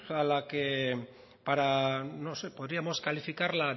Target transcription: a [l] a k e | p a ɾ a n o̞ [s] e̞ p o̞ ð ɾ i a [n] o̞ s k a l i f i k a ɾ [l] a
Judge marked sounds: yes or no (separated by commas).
yes, yes, no, yes